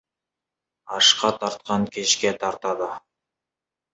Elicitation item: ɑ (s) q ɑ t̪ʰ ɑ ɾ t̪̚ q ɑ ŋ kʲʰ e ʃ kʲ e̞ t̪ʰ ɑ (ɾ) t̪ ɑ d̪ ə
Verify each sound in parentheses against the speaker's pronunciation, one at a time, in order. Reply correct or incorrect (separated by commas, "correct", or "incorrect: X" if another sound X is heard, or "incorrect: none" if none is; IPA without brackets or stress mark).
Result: incorrect: ʃ, correct